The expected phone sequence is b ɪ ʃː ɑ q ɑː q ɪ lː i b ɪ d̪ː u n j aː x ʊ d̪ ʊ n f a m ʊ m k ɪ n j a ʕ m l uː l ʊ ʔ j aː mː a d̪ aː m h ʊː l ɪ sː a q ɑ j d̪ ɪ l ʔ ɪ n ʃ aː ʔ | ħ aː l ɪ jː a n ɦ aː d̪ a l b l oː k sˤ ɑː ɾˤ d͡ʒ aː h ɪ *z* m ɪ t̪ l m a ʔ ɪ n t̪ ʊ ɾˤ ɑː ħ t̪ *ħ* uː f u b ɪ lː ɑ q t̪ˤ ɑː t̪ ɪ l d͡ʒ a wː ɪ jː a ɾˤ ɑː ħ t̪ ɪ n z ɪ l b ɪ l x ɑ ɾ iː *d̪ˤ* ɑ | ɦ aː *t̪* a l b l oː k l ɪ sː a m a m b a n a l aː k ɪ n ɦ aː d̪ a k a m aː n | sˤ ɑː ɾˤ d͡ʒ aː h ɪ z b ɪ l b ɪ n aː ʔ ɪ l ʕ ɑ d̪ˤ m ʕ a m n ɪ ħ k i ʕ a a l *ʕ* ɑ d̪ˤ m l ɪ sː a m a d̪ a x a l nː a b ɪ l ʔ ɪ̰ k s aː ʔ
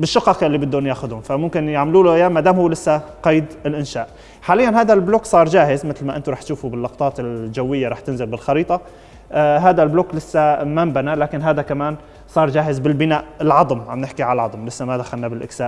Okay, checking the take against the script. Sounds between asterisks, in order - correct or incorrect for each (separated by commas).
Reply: correct, incorrect, incorrect, incorrect, correct